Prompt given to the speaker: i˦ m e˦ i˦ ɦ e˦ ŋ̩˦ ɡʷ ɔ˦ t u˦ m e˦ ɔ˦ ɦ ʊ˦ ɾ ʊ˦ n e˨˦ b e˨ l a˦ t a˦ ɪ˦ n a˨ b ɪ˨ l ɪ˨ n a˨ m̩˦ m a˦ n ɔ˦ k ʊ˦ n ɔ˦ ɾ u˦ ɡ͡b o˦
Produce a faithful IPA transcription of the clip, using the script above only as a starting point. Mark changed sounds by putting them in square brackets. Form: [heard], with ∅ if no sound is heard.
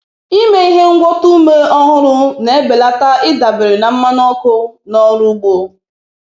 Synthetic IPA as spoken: i˦ m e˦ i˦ ɦ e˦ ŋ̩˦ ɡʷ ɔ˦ t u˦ m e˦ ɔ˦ ɦ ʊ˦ ɾ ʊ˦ n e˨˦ b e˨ l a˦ t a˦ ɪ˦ [d] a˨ b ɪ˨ [ɾ] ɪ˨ n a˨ m̩˦ m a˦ n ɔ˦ k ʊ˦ n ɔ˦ ɾ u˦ ɡ͡b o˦